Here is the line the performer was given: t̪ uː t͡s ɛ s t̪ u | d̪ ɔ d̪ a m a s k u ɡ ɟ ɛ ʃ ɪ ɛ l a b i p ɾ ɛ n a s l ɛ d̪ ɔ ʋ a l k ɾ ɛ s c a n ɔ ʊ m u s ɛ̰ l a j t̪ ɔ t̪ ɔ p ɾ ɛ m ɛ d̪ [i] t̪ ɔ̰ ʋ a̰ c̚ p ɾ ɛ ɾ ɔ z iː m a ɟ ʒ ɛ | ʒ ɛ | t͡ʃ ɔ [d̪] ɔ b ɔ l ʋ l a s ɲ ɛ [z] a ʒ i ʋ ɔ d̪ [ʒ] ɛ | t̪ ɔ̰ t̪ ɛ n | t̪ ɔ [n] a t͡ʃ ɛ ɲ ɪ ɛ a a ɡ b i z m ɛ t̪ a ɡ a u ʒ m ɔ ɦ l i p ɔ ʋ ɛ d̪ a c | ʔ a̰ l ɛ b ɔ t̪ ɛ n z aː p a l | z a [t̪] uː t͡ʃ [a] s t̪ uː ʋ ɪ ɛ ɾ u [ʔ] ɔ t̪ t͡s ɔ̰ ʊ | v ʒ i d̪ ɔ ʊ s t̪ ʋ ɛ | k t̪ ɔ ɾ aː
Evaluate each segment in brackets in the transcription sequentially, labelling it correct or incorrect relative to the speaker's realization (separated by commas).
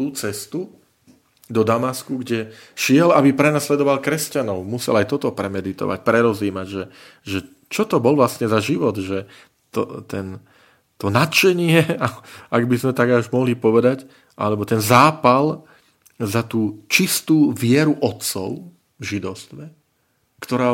correct, incorrect, correct, correct, correct, correct, incorrect, correct